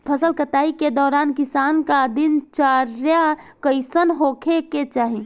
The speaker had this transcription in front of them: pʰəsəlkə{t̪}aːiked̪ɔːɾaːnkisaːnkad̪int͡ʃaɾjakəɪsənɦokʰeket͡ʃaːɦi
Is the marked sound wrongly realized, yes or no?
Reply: no